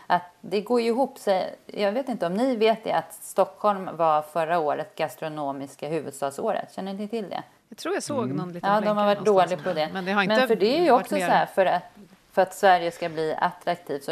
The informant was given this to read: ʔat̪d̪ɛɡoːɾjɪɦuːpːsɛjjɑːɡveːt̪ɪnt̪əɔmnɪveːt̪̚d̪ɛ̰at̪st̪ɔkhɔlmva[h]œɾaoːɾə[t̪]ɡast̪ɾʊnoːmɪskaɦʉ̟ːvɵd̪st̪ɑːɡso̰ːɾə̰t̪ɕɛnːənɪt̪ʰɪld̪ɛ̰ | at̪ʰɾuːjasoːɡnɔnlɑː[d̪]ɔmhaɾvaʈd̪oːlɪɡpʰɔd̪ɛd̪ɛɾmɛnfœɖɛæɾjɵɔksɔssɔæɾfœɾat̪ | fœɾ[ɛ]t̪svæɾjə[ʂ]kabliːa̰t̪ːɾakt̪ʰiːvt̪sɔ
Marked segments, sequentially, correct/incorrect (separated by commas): incorrect, correct, correct, incorrect, incorrect